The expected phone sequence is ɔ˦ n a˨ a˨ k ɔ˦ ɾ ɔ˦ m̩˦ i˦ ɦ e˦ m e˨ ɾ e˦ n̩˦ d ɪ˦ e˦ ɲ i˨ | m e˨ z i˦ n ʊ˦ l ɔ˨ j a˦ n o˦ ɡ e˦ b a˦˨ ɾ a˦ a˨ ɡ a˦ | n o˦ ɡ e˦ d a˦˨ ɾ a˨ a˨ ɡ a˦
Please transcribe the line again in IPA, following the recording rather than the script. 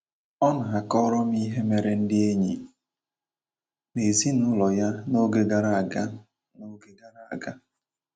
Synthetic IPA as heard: ɔ˦ n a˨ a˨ k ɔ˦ ɾ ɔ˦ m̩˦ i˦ ɦ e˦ m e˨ ɾ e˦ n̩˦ d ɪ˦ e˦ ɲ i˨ | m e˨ z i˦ n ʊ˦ l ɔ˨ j a˦ n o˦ ɡ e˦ ɡ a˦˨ ɾ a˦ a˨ ɡ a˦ | n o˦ ɡ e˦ ɡ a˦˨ ɾ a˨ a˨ ɡ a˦